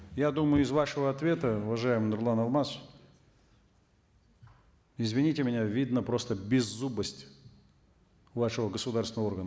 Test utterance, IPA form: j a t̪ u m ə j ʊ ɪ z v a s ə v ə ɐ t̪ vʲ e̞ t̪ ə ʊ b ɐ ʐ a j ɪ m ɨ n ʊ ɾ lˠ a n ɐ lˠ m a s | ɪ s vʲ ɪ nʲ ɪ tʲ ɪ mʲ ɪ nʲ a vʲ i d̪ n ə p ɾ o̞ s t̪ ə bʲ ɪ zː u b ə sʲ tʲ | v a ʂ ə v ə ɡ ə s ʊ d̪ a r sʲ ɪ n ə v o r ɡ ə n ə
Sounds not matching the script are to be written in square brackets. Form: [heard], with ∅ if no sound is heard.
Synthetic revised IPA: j a [d̪] u m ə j ʊ ɪ z v a [ʂ] ə v ə ɐ t̪ vʲ e̞ t̪ ə ʊ [v] ɐ ʐ a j ɪ m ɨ n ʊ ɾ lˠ a n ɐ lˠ m a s | ɪ [z] vʲ ɪ nʲ [i] tʲ ɪ mʲ ɪ nʲ a vʲ i d̪ n ə p ɾ o̞ s t̪ ə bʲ ɪ zː u b ə sʲ tʲ | v a ʂ ə v ə ɡ ə s ʊ d̪ a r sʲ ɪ n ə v o r ɡ ə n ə

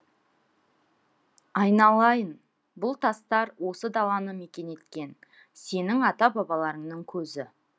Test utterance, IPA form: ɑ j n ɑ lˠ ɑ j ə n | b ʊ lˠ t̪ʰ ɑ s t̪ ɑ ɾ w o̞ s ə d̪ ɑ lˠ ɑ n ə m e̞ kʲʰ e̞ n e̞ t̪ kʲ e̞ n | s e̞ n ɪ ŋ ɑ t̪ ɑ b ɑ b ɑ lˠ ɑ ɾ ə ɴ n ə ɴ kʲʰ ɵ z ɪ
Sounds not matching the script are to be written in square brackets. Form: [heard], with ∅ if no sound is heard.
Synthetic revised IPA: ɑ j n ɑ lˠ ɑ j ə n | b ʊ lˠ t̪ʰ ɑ s t̪ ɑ ɾ w o̞ s ə d̪ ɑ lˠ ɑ n ə m e̞ [kʲ] e̞ n e̞ t̪ kʲ e̞ n | s e̞ n ɪ ŋ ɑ t̪ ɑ b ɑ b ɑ lˠ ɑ ɾ ə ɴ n ə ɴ kʲʰ ɵ z ɪ

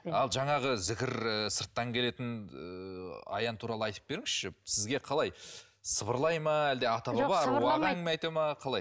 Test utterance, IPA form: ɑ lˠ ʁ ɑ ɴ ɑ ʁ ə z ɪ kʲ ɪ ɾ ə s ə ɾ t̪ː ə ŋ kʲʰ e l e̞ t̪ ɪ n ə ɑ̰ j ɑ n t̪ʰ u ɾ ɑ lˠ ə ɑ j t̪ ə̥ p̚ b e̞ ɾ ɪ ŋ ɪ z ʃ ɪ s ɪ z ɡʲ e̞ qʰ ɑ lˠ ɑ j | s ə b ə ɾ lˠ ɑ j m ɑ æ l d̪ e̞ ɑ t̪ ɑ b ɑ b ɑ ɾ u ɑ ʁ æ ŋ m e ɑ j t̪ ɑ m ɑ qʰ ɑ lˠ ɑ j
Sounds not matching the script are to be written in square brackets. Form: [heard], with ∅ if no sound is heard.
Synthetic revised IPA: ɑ lˠ [ʒ] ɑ ɴ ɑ ʁ ə z ɪ kʲ ɪ ɾ ə s ə ɾ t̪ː [ɑ] ŋ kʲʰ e l e̞ t̪ ɪ n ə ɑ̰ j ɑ n t̪ʰ u ɾ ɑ lˠ ə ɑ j t̪ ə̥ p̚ b e̞ ɾ ɪ ŋ ɪ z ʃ ɪ s ɪ z ɡʲ e̞ qʰ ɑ lˠ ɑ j | s ə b ə ɾ lˠ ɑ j m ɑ æ l d̪ e̞ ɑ t̪ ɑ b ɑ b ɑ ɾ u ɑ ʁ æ ŋ m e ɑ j t̪ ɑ m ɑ qʰ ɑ lˠ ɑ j

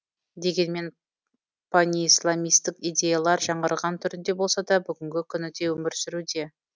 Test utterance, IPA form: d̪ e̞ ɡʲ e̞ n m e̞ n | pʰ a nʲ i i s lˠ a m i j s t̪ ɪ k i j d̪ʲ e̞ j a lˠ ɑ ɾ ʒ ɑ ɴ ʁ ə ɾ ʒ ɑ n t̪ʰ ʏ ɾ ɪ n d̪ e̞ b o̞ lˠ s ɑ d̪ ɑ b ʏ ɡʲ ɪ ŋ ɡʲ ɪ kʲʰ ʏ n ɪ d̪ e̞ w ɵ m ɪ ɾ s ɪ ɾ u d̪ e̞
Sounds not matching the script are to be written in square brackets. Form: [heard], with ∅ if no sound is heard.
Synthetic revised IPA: d̪ e̞ ɡʲ e̞ n m e̞ n | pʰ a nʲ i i s lˠ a m i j s t̪ ɪ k i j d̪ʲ e̞ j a lˠ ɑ ɾ ʒ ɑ ɴ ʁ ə ɾ [ʁ] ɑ n t̪ʰ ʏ ɾ ɪ n d̪ e̞ b o̞ lˠ s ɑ d̪ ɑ b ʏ ɡʲ ɪ ŋ ɡʲ ɪ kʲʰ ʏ n ɪ d̪ e̞ w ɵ m ɪ ɾ s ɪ ɾ u d̪ e̞

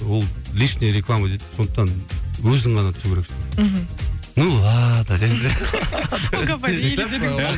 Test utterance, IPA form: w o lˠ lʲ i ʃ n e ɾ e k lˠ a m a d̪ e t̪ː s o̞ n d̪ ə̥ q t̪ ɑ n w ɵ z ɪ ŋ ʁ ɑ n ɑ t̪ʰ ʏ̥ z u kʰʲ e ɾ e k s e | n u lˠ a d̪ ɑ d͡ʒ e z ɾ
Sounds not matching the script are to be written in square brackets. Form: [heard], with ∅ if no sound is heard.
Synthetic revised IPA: w o lˠ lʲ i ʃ n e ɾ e k lˠ a m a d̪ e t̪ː s o̞ n d̪ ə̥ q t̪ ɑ n w ɵ z ɪ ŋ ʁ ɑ n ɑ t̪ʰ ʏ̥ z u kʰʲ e ɾ e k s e | n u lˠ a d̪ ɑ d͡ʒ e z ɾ

